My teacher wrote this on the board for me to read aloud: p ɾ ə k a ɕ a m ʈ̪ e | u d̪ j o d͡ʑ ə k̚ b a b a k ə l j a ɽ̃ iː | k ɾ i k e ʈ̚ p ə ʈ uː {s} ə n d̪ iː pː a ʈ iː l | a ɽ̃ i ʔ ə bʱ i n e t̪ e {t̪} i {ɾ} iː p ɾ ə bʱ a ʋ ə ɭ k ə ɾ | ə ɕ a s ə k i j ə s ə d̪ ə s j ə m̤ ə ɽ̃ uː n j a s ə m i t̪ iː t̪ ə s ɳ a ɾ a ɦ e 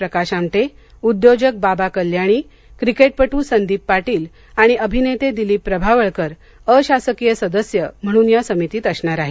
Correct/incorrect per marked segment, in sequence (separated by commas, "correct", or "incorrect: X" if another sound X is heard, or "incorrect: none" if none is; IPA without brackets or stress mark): correct, incorrect: d̪, incorrect: l